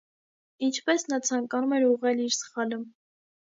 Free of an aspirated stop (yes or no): no